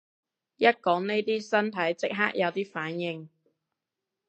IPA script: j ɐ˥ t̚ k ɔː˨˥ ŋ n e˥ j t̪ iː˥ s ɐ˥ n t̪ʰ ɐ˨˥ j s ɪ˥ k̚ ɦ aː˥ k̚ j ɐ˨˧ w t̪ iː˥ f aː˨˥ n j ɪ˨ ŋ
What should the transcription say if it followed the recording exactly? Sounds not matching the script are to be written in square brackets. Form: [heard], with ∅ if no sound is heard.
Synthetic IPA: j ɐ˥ t̚ k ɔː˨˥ ŋ n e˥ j t̪ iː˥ s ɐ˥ n t̪ʰ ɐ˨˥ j [t͡s] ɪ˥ k̚ ɦ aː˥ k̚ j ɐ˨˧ w t̪ iː˥ f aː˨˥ n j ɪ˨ ŋ